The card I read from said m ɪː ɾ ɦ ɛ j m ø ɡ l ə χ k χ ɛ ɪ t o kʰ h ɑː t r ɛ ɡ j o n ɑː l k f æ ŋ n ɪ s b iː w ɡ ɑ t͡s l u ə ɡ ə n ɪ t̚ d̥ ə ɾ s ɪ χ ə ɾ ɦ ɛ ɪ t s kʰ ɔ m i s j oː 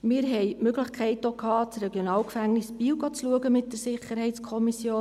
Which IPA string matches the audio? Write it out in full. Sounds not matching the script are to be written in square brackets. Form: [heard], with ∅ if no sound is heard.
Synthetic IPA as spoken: m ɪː ɾ ɦ ɛ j m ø ɡ l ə χ k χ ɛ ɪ t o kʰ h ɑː [t͡s] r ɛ ɡ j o n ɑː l k f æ ŋ n ɪ s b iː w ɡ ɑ t͡s l u ə ɡ ə [m] ɪ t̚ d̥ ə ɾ s ɪ χ ə ɾ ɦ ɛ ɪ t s kʰ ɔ m i s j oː